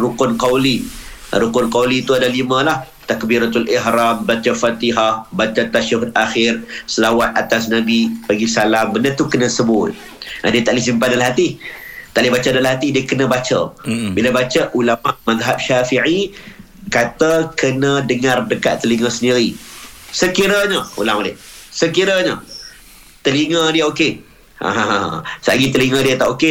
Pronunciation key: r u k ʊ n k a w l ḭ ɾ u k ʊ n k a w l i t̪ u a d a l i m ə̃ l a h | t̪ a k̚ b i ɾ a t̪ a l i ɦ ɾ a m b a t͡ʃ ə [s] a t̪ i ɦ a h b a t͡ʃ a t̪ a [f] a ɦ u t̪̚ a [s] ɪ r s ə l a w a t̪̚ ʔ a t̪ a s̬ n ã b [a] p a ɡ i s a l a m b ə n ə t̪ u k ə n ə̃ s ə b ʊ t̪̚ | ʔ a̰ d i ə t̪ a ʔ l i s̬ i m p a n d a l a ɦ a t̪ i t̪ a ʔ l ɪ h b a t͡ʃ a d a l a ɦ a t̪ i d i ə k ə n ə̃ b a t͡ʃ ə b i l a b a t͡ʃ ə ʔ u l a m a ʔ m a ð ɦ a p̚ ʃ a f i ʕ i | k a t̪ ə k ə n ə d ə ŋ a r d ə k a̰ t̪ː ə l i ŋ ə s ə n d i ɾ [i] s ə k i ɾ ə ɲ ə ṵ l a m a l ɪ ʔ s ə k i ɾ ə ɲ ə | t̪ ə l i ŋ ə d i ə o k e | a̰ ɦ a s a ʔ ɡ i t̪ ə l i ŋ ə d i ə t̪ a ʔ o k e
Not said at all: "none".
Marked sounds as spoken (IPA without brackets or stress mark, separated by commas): f, ʃ, x, i, i